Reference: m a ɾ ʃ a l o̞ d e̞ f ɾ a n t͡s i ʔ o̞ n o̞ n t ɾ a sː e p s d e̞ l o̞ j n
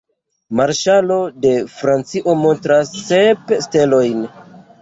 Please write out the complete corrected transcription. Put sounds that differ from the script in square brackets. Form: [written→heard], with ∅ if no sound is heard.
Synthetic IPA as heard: m a ɾ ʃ a l o̞ d e̞ f ɾ a n t͡s i ʔ o̞ [n→m] o̞ n t ɾ a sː e p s [d→t] e̞ l o̞ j n